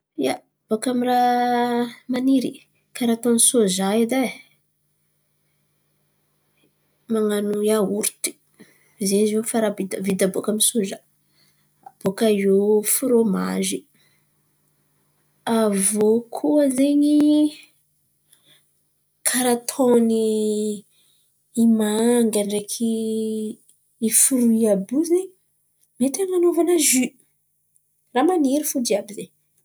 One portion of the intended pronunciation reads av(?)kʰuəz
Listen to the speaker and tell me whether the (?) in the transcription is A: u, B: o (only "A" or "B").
B